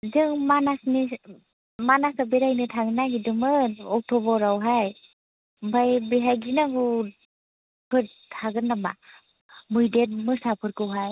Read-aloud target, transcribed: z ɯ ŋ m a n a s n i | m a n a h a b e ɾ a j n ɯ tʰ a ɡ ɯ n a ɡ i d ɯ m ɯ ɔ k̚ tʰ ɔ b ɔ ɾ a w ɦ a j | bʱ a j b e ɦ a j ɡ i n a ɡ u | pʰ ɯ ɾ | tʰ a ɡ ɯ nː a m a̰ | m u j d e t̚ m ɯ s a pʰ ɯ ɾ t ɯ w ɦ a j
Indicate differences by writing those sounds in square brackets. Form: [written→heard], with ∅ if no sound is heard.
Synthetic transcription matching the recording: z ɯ ŋ m a n a s n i | m a n a [h→s] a b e ɾ a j n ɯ tʰ a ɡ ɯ n a ɡ i d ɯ m ɯ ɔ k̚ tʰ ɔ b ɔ ɾ a w ɦ a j | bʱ a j b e ɦ a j ɡ i n a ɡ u | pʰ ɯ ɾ | tʰ a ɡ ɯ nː a m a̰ | m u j d e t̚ m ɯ s a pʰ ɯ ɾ [t→k] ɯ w ɦ a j